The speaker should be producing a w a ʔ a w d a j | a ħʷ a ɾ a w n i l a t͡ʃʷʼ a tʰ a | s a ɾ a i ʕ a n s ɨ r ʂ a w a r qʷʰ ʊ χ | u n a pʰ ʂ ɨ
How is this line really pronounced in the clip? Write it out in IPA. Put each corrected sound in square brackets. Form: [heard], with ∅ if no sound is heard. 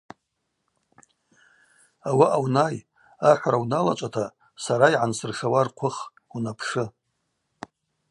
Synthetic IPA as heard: a w a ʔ a w [n] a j | a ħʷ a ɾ a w n [a] l a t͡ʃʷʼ a tʰ a | s a ɾ a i ʕ a n s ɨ r ʂ a w a r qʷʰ ʊ χ | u n a pʰ ʂ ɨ